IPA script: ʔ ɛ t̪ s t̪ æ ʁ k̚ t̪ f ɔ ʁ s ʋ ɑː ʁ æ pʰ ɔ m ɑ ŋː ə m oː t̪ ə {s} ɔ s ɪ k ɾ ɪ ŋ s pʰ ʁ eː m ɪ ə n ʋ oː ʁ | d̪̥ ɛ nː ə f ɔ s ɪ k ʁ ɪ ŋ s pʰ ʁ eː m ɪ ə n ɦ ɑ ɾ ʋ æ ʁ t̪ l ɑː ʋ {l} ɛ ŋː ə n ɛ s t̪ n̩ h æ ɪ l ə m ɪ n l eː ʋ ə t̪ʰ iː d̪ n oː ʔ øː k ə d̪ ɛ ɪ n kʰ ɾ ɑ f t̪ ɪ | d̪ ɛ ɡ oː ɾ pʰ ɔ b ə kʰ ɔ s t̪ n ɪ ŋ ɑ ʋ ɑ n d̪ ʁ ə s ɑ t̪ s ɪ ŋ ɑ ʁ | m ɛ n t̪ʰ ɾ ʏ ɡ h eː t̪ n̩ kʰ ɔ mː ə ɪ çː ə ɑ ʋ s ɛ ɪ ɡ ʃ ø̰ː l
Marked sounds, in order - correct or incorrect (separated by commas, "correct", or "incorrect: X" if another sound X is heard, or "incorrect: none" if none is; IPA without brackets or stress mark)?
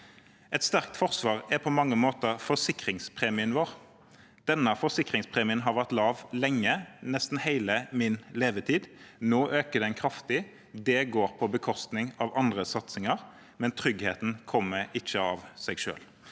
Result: incorrect: f, correct